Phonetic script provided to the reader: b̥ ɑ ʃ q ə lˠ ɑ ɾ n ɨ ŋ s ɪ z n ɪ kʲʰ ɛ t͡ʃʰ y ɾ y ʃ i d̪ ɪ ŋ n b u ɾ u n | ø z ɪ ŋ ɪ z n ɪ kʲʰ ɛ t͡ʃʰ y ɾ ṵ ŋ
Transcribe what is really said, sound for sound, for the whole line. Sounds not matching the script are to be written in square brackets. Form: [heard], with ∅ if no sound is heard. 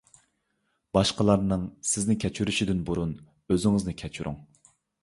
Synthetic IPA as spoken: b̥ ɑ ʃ q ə lˠ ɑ ɾ n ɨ ŋ s ɪ z n ɪ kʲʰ ɛ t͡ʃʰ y ɾ y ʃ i d̪ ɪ [∅] n b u ɾ u n | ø z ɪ ŋ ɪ z n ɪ kʲʰ ɛ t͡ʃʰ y ɾ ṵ ŋ